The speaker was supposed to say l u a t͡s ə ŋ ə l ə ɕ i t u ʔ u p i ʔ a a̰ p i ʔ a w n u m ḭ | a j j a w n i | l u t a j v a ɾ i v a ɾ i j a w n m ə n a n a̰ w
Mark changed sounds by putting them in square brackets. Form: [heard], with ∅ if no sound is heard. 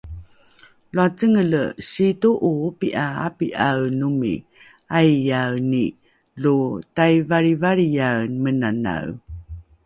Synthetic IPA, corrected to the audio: l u a t͡s ə ŋ ə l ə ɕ i t u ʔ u p i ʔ a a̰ p i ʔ a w n u m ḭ | a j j a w n i | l u t a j v a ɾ i v a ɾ i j a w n m ə n a n a̰ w